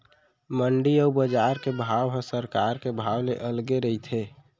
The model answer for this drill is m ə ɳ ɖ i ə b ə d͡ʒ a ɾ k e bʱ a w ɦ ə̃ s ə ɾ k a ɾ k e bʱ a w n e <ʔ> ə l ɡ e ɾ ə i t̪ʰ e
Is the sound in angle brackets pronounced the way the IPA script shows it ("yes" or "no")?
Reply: yes